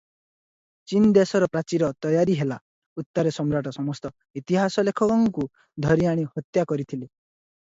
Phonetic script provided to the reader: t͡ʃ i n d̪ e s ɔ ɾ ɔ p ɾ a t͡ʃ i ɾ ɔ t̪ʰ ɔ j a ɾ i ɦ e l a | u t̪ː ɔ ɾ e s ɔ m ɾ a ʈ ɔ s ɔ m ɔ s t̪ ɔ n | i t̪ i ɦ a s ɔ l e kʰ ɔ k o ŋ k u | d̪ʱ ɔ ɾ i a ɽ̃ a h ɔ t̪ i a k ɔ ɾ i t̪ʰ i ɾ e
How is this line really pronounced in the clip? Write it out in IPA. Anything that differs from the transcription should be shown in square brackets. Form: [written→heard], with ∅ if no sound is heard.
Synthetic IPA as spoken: t͡ʃ i n d̪ e s ɔ ɾ ɔ p ɾ a t͡ʃ i ɾ ɔ [t̪ʰ→t̪] ɔ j a ɾ i ɦ e l a | u t̪ː ɔ ɾ e s ɔ m ɾ a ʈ ɔ s ɔ m ɔ s t̪ ɔ [n→∅] | i t̪ i ɦ a s ɔ l e kʰ ɔ k [o→ɔ] ŋ k u | d̪ʱ ɔ ɾ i a ɽ̃ [a→i] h ɔ t̪ [i→j] a k ɔ ɾ i t̪ʰ i [ɾ→l] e